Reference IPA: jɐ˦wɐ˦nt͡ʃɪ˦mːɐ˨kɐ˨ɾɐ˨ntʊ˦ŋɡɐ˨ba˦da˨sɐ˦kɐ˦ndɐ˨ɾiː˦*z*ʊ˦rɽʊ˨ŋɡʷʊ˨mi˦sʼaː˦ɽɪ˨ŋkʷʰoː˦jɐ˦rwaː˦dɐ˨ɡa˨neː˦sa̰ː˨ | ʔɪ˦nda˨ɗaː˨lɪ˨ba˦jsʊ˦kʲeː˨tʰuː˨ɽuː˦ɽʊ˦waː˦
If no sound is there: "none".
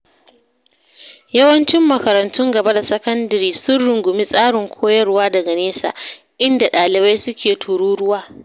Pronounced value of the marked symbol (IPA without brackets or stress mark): s